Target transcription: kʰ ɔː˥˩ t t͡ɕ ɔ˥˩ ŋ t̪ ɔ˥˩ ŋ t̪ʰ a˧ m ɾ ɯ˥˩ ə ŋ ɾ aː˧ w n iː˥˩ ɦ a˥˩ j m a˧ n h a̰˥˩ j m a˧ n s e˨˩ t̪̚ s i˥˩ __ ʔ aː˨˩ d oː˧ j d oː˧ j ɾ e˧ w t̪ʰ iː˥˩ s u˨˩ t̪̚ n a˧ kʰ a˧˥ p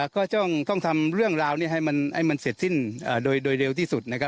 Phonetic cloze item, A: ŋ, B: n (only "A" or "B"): B